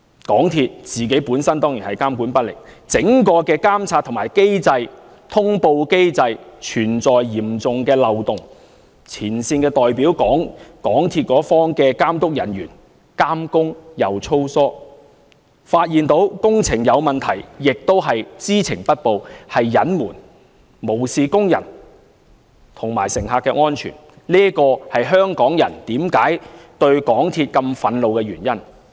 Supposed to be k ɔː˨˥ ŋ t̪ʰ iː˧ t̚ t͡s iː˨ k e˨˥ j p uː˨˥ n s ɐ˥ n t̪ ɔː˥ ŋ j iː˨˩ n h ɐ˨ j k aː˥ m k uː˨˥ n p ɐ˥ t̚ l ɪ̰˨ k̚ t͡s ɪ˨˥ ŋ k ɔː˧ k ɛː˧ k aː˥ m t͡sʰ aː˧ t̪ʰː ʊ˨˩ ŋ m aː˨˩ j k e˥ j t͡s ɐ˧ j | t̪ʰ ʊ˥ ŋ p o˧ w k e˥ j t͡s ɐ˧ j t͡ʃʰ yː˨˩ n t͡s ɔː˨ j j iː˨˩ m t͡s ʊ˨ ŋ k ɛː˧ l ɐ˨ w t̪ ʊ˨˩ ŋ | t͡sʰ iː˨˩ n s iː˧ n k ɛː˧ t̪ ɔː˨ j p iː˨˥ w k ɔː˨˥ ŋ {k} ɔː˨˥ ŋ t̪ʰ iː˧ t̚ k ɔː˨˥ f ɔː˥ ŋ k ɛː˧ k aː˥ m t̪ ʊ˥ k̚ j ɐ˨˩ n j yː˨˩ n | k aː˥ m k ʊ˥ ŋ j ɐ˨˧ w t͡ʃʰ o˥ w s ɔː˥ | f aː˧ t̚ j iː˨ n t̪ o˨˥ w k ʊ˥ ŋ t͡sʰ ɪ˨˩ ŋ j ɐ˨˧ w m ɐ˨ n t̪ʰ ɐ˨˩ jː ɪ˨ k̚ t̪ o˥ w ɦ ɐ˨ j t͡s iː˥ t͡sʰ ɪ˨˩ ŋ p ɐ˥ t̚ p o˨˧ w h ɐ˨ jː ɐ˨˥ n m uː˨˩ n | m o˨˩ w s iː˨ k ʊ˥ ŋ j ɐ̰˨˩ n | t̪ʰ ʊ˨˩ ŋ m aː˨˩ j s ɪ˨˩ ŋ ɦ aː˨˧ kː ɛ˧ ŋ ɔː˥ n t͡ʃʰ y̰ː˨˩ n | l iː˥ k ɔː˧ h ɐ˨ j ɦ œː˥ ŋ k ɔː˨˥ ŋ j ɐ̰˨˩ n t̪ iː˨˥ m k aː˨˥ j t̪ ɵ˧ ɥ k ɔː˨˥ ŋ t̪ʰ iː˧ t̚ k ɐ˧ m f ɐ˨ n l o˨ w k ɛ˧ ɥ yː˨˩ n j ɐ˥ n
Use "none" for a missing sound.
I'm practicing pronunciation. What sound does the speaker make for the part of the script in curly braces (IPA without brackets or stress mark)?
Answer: k